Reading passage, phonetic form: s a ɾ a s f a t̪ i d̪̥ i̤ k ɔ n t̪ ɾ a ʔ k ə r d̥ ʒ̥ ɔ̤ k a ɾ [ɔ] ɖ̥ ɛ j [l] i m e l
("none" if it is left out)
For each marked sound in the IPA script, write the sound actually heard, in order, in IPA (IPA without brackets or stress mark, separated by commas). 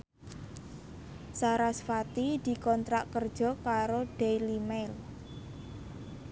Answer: o, l